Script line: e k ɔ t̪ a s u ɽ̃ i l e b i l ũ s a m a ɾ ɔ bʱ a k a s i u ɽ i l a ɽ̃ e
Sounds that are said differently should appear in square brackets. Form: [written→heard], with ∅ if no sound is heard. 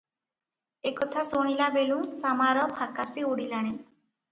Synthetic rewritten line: e k ɔ [t̪→t̪ʰ] a s [u→o] ɽ̃ i l [e→a] b [i→e] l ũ s a m a ɾ ɔ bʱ a k a s i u ɽ i l a ɽ̃ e